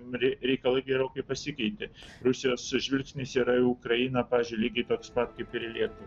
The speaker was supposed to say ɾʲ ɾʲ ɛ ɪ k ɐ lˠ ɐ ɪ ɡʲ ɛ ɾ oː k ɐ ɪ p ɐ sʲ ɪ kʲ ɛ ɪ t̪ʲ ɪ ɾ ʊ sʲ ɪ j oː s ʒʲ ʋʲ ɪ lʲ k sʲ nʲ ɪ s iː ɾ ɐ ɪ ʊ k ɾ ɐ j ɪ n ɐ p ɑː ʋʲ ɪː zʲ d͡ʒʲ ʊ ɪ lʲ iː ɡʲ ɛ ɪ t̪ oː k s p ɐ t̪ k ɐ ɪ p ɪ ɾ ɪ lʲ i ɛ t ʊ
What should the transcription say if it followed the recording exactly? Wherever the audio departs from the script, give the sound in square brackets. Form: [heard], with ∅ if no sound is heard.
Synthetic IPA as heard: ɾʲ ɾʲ ɛ ɪ k ɐ lˠ ɐ ɪ ɡʲ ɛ ɾ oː k ɐ ɪ p ɐ sʲ ɪ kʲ ɛ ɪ t̪ʲ ɪ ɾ ʊ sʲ ɪ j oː s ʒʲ ʋʲ ɪ lʲ k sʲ nʲ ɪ s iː ɾ ɐ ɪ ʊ k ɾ ɐ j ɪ n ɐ p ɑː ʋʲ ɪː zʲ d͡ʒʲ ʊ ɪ lʲ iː ɡʲ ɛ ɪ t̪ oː k s p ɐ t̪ k ɐ ɪ p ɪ ɾ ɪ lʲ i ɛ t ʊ